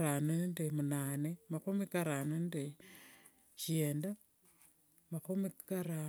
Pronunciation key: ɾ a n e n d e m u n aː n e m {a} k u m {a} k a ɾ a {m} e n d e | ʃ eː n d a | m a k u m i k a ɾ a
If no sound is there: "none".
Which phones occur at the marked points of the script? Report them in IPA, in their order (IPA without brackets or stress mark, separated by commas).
a, i, n